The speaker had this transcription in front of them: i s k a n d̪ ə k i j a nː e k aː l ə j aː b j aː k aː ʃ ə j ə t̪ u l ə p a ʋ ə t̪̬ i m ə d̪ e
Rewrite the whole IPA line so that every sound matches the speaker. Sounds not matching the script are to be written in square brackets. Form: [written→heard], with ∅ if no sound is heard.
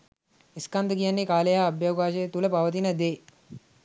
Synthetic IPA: i s k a n d̪ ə k i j a nː e k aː l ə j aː b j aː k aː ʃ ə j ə t̪ u l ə p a ʋ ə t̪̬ i [m→n] ə d̪ e